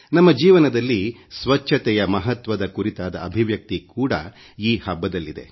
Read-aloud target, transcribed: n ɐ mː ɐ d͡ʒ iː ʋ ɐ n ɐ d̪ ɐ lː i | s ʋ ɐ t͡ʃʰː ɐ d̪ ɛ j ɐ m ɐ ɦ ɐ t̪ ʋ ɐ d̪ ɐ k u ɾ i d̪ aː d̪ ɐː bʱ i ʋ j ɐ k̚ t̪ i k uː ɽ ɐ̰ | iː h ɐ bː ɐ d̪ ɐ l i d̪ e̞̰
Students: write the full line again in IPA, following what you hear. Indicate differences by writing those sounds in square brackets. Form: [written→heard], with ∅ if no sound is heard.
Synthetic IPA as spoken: n ɐ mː ɐ d͡ʒ iː ʋ ɐ n ɐ d̪ ɐ lː i | s ʋ ɐ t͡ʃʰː ɐ [d̪→t̪] ɛ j ɐ m ɐ ɦ ɐ t̪ ʋ ɐ d̪ ɐ k u ɾ i [d̪→t̪] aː d̪ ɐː bʱ i ʋ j ɐ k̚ t̪ i k uː ɽ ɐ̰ | iː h ɐ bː ɐ d̪ ɐ [l→lː] i d̪ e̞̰